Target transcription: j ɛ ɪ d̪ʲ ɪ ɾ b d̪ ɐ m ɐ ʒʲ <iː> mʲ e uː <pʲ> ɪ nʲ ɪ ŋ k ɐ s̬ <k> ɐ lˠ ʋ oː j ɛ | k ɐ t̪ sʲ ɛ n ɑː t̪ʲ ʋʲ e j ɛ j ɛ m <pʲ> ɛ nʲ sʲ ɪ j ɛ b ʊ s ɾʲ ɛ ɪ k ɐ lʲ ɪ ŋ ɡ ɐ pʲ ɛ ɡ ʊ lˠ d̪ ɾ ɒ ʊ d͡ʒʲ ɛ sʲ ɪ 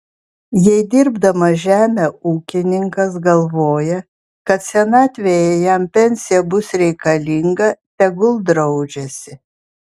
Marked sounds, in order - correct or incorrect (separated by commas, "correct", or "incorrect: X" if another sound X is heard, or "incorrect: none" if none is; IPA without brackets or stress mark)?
incorrect: æː, incorrect: kʲ, incorrect: ɡ, correct